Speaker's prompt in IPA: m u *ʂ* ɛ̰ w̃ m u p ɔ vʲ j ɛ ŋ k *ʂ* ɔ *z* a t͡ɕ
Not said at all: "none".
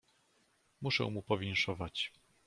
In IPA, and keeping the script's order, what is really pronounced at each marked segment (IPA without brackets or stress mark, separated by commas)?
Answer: ʂ, ʂ, v